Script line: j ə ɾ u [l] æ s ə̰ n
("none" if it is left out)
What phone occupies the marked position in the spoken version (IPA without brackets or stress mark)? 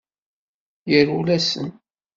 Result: l